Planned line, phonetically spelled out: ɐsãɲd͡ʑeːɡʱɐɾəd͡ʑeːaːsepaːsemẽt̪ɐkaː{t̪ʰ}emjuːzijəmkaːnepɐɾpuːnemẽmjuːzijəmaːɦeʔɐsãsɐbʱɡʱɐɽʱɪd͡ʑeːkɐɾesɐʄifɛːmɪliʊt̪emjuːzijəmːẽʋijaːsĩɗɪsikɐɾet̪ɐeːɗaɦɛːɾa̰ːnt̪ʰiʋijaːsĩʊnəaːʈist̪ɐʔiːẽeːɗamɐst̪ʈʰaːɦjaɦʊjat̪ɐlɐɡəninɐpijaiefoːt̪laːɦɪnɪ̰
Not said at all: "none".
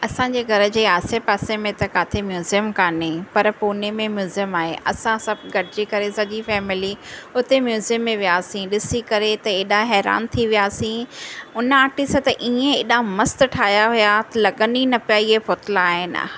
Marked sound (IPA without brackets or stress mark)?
t̪ʰ